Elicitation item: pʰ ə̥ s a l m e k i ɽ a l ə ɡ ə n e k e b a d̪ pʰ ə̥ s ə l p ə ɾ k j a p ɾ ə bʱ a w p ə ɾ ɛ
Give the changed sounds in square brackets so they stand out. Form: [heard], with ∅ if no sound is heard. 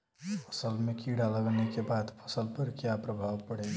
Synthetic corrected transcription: pʰ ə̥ s [ə] l m e k i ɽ a l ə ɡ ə n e k e b a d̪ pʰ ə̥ s ə l p ə ɾ k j a p ɾ ə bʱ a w p ə [ɽ] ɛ